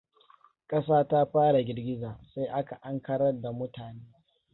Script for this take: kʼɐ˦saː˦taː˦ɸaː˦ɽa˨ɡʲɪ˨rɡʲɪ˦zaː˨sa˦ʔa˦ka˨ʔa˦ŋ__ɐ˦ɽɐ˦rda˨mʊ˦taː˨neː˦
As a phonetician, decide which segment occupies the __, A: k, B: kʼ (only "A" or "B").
A